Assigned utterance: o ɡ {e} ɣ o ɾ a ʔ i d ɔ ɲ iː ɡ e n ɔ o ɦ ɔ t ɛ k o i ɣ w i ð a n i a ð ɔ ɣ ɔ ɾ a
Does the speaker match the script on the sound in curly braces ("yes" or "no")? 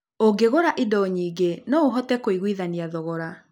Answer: yes